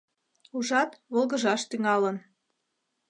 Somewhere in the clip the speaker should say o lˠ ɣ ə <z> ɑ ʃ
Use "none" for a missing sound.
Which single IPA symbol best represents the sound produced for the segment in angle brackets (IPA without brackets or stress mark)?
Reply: ʒ